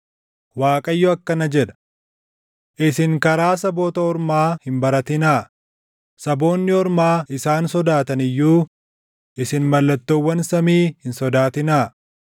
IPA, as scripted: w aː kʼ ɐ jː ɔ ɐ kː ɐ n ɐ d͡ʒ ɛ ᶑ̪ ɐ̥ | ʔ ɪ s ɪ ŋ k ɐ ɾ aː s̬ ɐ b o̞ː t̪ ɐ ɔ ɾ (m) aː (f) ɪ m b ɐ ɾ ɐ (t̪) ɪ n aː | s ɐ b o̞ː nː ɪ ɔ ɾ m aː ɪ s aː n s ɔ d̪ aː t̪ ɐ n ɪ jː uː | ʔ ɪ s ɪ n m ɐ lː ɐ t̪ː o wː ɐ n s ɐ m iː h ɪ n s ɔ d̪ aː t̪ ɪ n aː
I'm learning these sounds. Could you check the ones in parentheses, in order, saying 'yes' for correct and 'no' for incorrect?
yes, no, yes

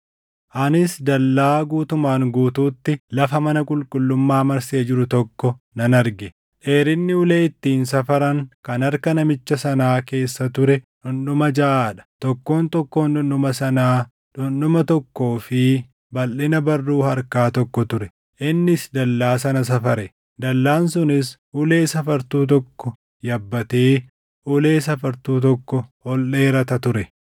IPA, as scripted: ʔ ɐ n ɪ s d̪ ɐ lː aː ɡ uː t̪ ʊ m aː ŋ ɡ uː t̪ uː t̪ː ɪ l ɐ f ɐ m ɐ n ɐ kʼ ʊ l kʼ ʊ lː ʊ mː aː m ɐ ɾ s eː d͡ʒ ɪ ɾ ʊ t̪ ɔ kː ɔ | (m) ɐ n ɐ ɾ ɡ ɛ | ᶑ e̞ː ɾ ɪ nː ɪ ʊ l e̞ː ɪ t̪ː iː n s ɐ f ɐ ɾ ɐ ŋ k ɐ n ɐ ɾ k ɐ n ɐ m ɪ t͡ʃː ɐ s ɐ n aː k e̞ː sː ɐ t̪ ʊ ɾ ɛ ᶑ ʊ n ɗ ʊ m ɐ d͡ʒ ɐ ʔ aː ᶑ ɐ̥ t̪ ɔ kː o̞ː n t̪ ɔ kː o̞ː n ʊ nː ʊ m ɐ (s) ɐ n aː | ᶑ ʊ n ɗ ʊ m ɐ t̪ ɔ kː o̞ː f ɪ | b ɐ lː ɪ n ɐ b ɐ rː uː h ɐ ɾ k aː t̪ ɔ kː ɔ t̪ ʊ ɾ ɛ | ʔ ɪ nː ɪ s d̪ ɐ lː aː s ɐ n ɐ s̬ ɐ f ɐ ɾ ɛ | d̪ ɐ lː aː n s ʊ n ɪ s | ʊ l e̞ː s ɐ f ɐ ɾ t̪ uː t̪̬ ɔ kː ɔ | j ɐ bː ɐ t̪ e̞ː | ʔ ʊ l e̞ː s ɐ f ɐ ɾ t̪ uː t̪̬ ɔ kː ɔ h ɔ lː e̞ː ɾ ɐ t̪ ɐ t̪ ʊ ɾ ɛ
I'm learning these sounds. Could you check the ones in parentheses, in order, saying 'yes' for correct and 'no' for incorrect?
no, yes

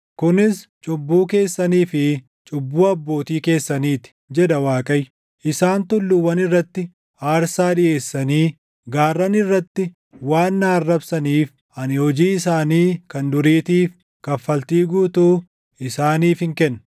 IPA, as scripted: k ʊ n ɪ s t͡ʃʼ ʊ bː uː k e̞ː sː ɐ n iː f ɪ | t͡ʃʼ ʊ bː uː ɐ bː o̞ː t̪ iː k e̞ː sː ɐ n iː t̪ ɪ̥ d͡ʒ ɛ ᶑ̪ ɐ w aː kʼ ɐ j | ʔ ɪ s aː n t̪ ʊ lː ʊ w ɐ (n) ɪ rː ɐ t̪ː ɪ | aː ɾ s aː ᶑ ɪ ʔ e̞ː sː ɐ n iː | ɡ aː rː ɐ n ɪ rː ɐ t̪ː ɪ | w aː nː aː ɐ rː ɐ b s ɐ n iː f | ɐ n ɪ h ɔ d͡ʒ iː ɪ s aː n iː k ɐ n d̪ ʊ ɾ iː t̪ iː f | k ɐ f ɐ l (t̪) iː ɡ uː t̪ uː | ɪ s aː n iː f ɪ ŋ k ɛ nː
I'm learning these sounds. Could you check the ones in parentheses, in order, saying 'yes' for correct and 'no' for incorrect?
yes, yes

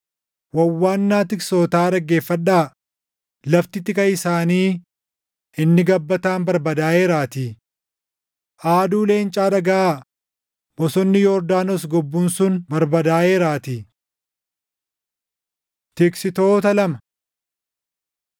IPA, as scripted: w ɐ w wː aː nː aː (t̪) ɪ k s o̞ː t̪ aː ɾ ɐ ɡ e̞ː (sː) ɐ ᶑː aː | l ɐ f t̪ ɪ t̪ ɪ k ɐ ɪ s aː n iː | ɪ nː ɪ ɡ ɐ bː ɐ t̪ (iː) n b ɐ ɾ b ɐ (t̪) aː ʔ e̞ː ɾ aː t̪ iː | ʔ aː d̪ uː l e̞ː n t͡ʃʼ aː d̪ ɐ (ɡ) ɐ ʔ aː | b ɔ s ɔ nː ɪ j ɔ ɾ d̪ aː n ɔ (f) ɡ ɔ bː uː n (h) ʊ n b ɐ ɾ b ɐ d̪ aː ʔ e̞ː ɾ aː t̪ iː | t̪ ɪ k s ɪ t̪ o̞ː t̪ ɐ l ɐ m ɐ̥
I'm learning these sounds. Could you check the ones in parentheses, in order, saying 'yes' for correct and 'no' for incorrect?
yes, no, no, no, yes, no, no

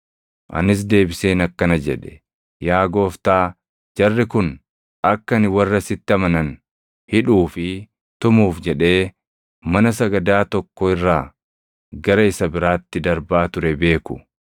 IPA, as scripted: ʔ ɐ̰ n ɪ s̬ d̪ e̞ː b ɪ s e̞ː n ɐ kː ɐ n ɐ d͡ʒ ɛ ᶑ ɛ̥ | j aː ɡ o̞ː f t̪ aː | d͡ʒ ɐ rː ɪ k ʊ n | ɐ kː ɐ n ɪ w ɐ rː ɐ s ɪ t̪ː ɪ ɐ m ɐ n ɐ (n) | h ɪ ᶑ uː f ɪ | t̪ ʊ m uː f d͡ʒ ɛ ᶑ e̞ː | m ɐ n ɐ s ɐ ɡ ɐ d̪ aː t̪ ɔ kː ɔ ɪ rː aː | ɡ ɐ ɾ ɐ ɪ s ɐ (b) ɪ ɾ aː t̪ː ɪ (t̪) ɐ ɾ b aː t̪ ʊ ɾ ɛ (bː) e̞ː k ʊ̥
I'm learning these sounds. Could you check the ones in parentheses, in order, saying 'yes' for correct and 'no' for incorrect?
yes, yes, no, no

